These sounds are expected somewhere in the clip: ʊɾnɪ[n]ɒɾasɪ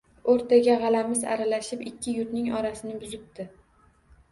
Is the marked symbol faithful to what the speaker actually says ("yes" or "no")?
no